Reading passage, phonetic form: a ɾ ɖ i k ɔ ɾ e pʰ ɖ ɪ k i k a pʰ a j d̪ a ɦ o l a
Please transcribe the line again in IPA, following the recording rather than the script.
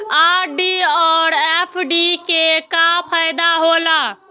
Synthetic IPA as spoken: a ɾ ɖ i ɔ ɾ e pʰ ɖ i k e k a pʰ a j d̪ a ɦ o l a